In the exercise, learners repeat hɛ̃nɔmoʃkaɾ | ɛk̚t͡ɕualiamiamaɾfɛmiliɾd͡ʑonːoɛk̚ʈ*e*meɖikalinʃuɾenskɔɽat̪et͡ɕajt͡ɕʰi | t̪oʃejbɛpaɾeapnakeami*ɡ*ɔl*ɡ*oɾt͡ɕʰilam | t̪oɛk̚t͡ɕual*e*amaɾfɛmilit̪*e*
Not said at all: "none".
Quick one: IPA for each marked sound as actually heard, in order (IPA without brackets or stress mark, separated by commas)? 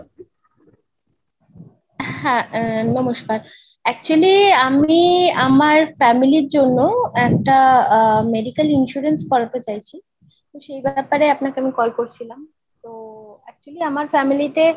a, k, k, i, e